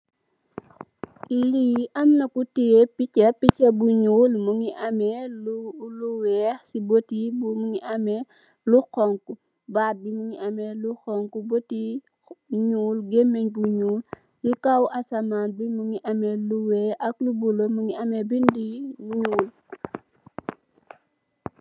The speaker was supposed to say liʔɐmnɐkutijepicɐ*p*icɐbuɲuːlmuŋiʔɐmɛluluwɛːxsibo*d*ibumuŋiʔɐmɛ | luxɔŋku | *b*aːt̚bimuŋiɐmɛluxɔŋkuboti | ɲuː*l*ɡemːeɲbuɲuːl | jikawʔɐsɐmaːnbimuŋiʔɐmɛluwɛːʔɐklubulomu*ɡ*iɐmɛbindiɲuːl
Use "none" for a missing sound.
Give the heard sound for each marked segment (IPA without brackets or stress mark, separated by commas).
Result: p, t, b, l, ŋ